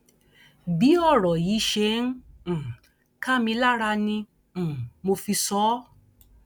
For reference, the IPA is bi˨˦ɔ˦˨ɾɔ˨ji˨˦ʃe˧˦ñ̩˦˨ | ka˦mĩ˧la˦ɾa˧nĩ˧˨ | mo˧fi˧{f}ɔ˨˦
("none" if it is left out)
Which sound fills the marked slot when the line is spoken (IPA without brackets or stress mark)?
s